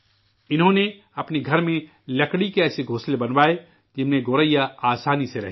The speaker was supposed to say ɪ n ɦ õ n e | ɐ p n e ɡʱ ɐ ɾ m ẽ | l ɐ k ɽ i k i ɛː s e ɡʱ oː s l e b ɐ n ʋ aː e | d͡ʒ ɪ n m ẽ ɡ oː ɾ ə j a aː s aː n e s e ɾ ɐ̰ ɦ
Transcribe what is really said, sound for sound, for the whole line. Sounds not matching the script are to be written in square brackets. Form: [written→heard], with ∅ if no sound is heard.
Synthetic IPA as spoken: ɪ n ɦ õ n e | ɐ p n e ɡʱ ɐ ɾ m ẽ | l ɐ k ɽ i k [i→e] ɛː s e ɡʱ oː s l e b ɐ n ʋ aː e | d͡ʒ ɪ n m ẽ ɡ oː ɾ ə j a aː s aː n [e→i] s e ɾ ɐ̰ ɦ